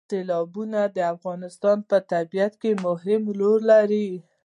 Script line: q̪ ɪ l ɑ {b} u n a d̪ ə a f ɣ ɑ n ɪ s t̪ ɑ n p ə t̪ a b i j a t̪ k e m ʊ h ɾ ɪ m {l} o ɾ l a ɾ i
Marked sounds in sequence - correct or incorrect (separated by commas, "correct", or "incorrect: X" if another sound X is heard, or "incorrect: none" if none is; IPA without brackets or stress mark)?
correct, correct